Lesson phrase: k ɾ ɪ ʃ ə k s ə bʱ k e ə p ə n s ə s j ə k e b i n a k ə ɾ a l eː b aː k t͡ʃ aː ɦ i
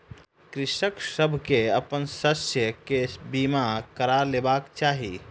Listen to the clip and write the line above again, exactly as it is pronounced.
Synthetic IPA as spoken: k ɾ ɪ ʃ ə k s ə bʱ k e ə p ə n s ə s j ə k e b i m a k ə ɾ a l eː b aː k t͡ʃ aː ɦ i